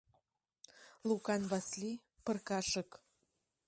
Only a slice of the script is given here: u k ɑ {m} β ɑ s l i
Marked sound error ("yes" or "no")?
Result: yes